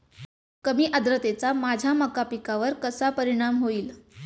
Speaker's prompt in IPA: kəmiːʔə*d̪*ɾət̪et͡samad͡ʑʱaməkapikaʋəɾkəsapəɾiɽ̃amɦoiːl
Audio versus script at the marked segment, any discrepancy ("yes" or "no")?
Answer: no